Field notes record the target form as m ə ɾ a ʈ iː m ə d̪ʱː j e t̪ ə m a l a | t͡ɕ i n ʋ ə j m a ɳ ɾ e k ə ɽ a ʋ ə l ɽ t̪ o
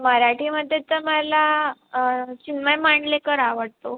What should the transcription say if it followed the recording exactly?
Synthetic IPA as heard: m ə ɾ a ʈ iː m ə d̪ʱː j e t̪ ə m a l a | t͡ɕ i n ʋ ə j m a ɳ l e k ə ɾ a ʋ ə ɽ t̪ o